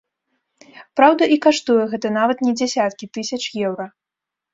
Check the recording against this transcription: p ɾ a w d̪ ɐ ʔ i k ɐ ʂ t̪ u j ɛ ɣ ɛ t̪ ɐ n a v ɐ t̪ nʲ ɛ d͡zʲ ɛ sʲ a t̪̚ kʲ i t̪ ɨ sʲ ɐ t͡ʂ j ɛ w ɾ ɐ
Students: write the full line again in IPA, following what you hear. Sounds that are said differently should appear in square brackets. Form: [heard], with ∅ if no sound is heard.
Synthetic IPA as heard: p ɾ a w d̪ ɐ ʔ i k [a] ʂ t̪ u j ɛ ɣ ɛ t̪ ɐ n a v ɐ t̪ nʲ ɛ d͡zʲ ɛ sʲ a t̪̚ kʲ i t̪ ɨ sʲ ɐ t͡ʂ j ɛ w ɾ ɐ